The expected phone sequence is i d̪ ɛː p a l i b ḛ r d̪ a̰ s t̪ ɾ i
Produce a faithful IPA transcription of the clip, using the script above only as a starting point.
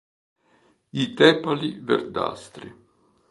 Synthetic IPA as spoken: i t̪ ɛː p a l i v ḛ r d̪ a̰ s t̪ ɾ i